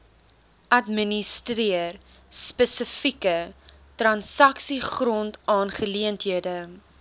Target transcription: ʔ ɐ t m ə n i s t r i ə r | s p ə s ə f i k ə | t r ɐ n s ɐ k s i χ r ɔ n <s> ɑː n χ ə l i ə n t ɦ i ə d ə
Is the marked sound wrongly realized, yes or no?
yes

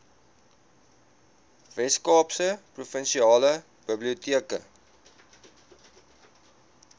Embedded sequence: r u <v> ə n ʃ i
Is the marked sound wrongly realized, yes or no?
yes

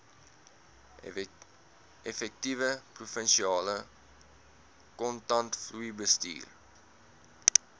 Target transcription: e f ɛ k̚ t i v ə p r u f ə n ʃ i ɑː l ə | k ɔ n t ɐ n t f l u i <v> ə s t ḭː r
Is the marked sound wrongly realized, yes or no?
yes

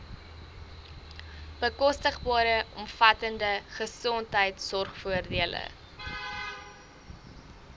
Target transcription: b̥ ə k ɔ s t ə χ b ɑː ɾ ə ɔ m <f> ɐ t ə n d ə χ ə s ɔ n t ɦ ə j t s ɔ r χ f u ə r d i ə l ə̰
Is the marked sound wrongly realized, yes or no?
no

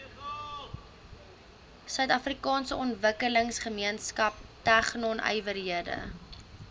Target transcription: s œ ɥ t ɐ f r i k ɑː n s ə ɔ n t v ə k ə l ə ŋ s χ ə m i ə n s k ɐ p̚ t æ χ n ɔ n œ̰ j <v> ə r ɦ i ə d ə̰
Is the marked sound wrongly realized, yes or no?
no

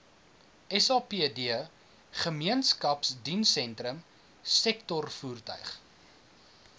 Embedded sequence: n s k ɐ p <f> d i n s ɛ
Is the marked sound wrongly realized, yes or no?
yes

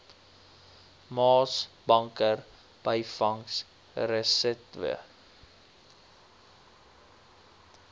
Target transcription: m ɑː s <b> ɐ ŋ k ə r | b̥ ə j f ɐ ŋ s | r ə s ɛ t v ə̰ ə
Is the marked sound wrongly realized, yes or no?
no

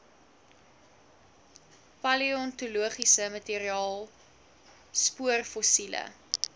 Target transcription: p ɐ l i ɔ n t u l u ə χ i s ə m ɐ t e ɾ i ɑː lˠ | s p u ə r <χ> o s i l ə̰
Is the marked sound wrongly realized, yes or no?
yes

